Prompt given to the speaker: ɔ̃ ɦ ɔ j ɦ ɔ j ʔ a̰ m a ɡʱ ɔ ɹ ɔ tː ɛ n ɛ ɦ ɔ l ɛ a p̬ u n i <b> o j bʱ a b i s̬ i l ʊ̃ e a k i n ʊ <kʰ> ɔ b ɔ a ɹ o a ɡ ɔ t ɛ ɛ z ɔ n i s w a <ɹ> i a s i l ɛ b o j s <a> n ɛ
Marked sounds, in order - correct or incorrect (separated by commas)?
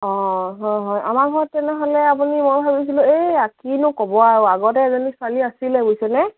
incorrect, incorrect, incorrect, incorrect